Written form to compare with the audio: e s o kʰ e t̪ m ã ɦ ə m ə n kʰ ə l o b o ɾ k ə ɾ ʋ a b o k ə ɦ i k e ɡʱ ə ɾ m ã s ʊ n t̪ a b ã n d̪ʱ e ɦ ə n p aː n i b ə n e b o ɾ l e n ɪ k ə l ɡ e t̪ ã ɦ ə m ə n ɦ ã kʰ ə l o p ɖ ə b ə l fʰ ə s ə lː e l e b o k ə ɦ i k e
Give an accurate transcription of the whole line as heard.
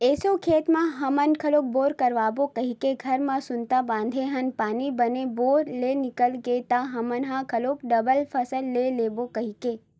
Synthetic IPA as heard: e s o kʰ e t̪ m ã ɦ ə m ə n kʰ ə l o b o ɾ k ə ɾ ʋ a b o k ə ɦ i k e ɡʱ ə ɾ m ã s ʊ n t̪ a b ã n d̪ʱ e ɦ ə n p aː n i b ə n e b o ɾ l e n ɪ k ə l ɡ e t̪ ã ɦ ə m ə n ɦ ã kʰ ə l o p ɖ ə b ə l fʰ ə s ə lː e l e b o k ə ɦ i k e